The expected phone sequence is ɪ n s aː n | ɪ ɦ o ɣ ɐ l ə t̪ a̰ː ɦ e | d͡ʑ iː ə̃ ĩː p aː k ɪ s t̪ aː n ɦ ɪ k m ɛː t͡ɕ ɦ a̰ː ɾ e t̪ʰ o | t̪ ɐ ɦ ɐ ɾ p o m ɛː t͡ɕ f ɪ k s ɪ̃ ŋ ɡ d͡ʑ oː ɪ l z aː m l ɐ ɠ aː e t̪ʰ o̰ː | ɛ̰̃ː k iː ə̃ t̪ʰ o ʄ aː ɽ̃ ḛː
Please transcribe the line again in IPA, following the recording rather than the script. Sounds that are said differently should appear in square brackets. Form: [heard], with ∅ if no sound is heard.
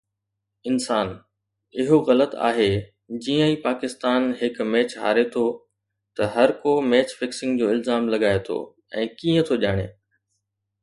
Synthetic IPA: ɪ n s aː n | ɪ ɦ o ɣ ɐ l ə t̪ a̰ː ɦ e | d͡ʑ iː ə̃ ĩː p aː k ɪ s t̪ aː n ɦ ɪ k m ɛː t͡ɕ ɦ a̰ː ɾ e t̪ʰ o | t̪ ɐ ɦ ɐ ɾ [k] o m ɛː t͡ɕ f ɪ k s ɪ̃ ŋ ɡ d͡ʑ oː ɪ l z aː m l ɐ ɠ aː e t̪ʰ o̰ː | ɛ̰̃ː k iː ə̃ t̪ʰ o ʄ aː ɽ̃ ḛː